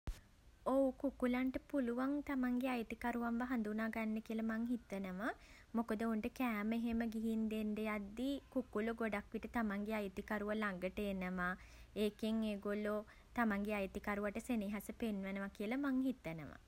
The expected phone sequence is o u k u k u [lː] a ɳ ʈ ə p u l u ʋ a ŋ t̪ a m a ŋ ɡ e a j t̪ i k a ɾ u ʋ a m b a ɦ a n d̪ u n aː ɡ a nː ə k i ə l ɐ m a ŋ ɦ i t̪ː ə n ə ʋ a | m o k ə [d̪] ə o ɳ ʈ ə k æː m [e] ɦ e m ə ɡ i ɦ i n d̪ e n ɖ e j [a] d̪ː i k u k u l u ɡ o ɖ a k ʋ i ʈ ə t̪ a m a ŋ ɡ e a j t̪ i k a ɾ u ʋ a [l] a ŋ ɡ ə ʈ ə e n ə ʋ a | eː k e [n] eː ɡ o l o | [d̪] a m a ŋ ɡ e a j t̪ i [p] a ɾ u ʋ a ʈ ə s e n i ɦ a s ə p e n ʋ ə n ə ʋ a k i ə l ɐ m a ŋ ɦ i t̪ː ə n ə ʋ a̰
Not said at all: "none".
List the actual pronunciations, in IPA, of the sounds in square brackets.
l, d̪, e, a, l, ŋ, t̪, k

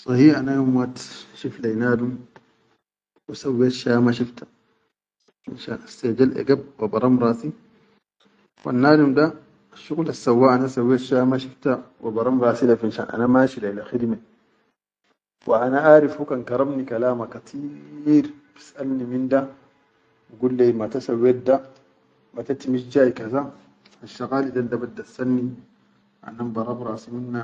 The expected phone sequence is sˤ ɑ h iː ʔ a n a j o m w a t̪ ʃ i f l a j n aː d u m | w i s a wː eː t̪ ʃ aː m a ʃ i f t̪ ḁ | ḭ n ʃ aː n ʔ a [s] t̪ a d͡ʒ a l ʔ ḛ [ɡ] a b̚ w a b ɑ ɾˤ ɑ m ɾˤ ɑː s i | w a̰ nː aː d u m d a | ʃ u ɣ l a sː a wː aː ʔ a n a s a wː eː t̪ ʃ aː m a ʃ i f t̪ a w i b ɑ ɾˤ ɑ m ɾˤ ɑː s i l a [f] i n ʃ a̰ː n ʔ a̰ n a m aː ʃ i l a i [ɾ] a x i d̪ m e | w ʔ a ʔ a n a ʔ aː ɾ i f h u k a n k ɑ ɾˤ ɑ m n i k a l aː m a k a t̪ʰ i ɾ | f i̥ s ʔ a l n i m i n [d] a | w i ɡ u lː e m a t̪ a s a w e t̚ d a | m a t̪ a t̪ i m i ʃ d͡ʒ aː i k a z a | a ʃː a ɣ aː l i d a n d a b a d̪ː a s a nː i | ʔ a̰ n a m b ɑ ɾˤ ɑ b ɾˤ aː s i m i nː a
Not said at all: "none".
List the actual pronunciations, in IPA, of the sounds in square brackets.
s, ɡ, f, l, d

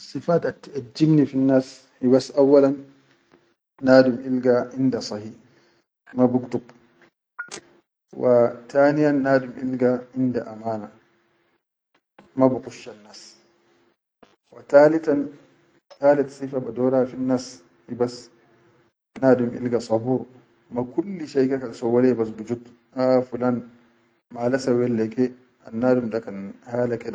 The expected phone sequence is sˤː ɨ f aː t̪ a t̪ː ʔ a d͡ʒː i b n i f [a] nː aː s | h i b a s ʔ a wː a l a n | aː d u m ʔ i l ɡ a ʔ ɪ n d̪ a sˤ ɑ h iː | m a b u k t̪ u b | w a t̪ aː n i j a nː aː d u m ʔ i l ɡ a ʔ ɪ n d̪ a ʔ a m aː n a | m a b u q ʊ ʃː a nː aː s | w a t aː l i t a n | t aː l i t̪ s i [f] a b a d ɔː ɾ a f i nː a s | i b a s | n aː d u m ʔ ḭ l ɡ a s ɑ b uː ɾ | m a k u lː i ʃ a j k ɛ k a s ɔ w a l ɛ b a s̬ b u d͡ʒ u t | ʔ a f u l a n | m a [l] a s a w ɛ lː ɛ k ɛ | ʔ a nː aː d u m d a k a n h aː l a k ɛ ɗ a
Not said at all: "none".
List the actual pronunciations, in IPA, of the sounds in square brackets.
i, f, l

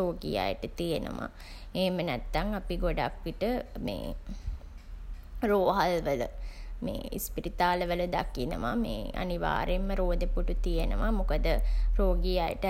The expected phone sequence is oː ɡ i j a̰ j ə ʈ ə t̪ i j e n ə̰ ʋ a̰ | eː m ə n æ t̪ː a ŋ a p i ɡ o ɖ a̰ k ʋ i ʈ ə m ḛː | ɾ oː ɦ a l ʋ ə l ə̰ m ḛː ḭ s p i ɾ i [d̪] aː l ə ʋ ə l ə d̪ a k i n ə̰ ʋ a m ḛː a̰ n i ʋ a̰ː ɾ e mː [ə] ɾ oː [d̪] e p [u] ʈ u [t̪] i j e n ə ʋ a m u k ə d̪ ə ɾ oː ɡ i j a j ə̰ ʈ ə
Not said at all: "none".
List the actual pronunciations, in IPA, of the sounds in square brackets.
t̪, ə, d̪, u, t̪

